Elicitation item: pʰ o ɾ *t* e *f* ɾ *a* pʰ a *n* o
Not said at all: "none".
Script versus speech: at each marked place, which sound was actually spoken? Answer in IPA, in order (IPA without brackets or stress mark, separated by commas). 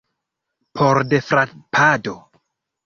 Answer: d, f, a, d